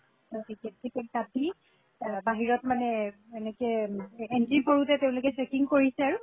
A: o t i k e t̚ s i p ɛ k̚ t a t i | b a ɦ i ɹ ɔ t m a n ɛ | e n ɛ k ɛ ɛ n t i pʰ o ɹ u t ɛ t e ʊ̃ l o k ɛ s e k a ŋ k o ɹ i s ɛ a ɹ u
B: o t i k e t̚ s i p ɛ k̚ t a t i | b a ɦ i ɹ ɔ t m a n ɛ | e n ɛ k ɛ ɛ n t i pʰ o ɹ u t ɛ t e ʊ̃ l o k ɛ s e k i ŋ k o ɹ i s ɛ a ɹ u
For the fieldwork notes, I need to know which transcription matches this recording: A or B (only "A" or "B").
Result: B